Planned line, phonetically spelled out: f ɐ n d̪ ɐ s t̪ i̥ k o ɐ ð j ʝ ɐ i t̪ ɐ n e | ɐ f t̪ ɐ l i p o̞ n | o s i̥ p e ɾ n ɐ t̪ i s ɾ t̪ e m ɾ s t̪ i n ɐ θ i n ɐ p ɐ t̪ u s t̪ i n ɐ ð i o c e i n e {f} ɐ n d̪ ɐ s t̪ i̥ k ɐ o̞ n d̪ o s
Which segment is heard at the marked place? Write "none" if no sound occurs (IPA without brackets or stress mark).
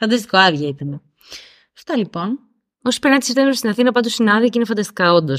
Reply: f